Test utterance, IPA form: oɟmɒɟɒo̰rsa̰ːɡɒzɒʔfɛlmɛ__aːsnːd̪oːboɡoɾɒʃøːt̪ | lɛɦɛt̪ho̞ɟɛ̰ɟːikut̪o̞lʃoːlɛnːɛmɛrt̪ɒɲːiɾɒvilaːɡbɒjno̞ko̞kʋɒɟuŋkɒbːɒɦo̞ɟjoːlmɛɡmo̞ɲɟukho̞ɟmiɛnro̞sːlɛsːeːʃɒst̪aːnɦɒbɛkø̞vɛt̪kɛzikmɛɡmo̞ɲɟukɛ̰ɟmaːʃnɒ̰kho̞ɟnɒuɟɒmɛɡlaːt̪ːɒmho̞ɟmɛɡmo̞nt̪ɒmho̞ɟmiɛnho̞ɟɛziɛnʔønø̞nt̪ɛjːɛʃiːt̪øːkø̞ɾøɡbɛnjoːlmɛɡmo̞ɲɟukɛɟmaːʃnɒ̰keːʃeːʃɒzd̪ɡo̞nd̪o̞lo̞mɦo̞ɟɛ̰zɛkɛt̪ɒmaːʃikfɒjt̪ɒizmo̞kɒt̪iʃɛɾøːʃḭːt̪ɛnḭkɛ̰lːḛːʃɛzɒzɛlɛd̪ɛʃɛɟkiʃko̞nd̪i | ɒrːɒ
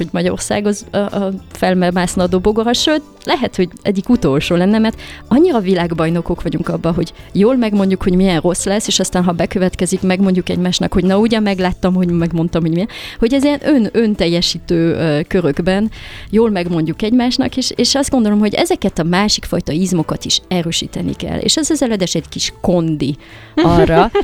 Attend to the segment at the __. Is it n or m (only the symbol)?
m